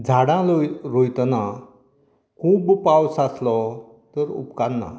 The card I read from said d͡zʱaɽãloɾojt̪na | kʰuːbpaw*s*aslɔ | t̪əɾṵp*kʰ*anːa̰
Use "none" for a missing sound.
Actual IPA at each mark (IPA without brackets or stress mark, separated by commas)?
s, k